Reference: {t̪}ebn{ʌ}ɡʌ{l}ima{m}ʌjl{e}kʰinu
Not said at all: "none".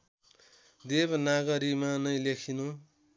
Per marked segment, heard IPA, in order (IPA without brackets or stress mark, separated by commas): d̪, a, ɾ, n, e